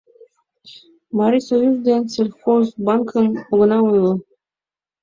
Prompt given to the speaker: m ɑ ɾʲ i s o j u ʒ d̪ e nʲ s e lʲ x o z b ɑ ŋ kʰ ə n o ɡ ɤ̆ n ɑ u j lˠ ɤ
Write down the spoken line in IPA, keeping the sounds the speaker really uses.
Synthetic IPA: m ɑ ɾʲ i s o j u z d̪ e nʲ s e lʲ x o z b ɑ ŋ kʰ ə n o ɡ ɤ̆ n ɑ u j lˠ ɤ